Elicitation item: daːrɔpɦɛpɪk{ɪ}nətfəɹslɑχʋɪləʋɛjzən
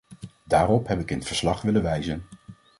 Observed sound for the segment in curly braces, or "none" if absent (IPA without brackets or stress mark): ɪ